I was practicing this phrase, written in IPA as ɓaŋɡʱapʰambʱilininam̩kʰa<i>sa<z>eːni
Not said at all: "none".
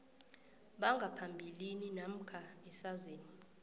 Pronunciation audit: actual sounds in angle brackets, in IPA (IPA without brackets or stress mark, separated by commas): ɛ, z